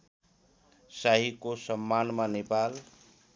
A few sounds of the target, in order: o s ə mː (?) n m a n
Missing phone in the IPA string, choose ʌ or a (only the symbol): a